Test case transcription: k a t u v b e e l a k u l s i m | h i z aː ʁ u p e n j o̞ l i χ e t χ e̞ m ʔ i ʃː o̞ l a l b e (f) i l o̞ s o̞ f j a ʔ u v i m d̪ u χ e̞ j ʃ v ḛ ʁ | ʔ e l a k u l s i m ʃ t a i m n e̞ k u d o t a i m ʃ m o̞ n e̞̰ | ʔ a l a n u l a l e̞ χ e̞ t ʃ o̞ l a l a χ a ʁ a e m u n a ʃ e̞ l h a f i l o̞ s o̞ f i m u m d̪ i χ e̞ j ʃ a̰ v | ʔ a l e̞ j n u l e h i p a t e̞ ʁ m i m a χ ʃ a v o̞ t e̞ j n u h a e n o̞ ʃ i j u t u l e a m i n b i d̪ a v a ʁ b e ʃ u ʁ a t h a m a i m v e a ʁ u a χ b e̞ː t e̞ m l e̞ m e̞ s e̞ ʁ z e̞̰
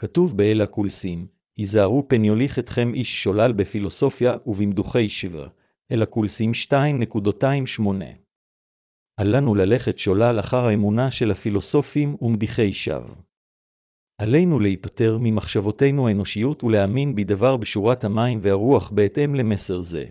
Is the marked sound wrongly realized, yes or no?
no